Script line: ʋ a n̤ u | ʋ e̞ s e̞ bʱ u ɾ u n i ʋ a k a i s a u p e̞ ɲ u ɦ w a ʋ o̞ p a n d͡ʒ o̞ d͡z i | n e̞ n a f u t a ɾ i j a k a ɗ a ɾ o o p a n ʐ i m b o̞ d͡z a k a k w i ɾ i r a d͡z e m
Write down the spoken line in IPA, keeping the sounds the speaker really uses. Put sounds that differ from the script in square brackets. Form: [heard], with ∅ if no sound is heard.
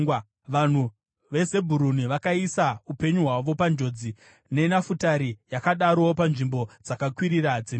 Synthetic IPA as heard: ʋ a n̤ u | ʋ e̞ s e̞ bʱ u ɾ u n i ʋ a k a i s a u p e̞ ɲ u ɦ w a ʋ o̞ p a n d͡ʒ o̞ d͡z i | n e̞ n a f u t a ɾ i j a k a ɗ a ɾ o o p a n ʐ i m b o̞ d͡z a k a k w i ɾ i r a d͡z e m

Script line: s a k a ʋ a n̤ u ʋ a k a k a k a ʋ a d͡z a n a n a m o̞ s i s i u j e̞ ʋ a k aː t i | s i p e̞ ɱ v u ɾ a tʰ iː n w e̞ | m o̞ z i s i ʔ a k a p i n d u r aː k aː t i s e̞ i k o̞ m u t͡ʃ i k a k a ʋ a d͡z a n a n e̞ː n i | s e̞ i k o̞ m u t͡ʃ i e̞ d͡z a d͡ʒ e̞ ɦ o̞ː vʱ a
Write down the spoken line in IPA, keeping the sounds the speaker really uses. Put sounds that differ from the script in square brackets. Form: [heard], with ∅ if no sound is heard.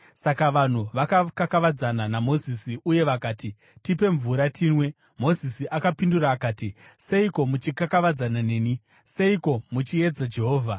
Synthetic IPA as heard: s a k a ʋ a n̤ u ʋ a k a k a k a ʋ a d͡z a n a n a m o̞ [z] i s i u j e̞ ʋ a k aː t i | [t] i p e̞ ɱ v u ɾ a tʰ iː n w e̞ | m o̞ z i s i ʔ a k a p i n d u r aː k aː t i s e̞ i k o̞ m u t͡ʃ i k a k a ʋ a d͡z a n a n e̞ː n i | s e̞ i k o̞ m u t͡ʃ i e̞ d͡z a d͡ʒ e̞ ɦ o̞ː vʱ a

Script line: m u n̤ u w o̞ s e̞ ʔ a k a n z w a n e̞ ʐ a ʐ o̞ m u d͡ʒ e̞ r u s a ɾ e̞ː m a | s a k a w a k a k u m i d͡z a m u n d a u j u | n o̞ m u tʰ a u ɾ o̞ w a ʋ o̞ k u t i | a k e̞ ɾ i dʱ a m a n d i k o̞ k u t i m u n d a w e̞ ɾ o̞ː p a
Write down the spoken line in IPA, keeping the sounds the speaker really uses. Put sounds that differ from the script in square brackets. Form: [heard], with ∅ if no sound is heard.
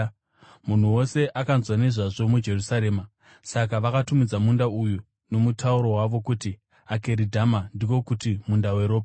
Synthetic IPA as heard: m u n̤ u w o̞ s e̞ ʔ a k a n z w a n e̞ ʐ a ʐ o̞ m u d͡ʒ e̞ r u s a ɾ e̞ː m a | s a k a [ʋ] a k a [t] u m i d͡z a m u n d a u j u | n o̞ m u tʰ a u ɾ o̞ w a ʋ o̞ k u t i | a k e̞ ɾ i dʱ a m a n d i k o̞ k u t i m u n d a w e̞ ɾ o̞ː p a

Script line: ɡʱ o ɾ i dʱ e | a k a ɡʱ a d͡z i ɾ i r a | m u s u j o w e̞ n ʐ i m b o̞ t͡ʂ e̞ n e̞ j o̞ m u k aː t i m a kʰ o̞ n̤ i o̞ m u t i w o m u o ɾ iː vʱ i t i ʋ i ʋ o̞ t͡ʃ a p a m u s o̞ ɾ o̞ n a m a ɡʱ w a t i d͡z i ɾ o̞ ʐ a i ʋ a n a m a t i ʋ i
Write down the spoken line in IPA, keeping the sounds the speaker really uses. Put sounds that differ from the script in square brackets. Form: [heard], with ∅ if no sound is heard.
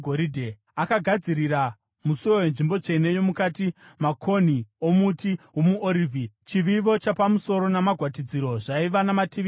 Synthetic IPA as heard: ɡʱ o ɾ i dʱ e | a k a ɡʱ a d͡z i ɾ i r a | m u s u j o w e̞ n ʐ i m b o̞ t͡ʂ e̞ n e̞ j o̞ m u k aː t i m a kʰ o̞ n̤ i o̞ m u t i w o m u o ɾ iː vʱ i [t͡ʃ] i ʋ i ʋ o̞ t͡ʃ a p a m u s o̞ ɾ o̞ n a m a ɡʱ w a t i d͡z i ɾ o̞ ʐ a i ʋ a n a m a t i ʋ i

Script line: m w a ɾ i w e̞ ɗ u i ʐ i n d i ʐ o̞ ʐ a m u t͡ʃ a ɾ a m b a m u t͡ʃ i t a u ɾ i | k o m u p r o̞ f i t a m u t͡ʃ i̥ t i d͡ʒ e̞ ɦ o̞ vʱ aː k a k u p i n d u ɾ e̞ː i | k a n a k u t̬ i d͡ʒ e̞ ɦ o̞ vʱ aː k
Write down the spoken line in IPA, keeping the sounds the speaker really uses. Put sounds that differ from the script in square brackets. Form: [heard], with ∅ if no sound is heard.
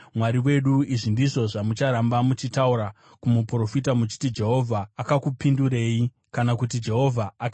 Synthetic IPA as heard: m w a ɾ i w e̞ ɗ u i ʐ i n d i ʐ o̞ ʐ a m u t͡ʃ a ɾ a m b a m u t͡ʃ i t a u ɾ [a] | k [u] m u p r o̞ f i t a m u t͡ʃ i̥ t i d͡ʒ e̞ ɦ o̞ vʱ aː k a k u p i n d u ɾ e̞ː i | k a n a k u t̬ i d͡ʒ e̞ ɦ o̞ vʱ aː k

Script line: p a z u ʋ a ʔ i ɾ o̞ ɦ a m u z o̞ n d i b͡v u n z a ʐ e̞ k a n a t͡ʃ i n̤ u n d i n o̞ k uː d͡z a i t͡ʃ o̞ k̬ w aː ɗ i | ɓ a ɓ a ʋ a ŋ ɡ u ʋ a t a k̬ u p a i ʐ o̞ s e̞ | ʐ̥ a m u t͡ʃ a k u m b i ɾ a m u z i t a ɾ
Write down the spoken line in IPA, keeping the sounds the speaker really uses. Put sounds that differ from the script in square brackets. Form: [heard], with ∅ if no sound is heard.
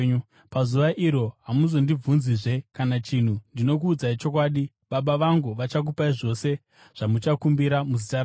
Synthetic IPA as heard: p a z u ʋ a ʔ i ɾ o̞ ɦ a m u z o̞ n d i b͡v u n z [i] ʐ e̞ k a n a t͡ʃ i n̤ u n d i n o̞ k uː d͡z a i t͡ʃ o̞ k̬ w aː ɗ i | ɓ a ɓ a ʋ a ŋ ɡ u ʋ a [t͡ʃ] a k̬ u p a i ʐ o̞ s e̞ | ʐ̥ a m u t͡ʃ a k u m b i ɾ a m u z i t a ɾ

